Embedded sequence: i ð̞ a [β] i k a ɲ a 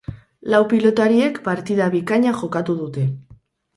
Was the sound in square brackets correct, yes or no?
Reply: yes